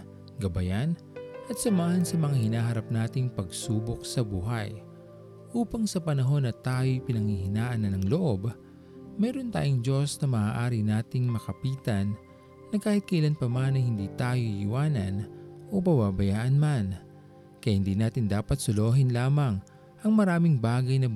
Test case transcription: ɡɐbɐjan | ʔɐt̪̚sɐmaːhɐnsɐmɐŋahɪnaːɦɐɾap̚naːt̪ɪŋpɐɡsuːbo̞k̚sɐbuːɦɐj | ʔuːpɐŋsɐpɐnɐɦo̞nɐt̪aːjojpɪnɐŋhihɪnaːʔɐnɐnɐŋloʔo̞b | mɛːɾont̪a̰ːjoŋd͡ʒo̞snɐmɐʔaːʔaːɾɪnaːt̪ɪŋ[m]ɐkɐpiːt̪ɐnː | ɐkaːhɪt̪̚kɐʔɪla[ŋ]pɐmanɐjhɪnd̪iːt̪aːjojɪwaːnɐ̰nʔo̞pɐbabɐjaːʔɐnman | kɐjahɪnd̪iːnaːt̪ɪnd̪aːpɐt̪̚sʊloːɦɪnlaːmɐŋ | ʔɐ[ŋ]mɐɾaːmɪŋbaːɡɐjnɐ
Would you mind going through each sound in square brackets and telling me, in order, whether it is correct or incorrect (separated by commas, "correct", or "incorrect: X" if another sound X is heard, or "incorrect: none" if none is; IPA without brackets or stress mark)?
correct, incorrect: n, correct